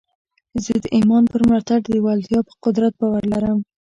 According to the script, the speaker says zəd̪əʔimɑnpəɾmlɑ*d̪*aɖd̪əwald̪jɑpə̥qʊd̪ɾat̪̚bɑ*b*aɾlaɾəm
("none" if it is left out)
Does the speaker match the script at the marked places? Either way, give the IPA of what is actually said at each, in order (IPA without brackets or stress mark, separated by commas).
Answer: t̪, w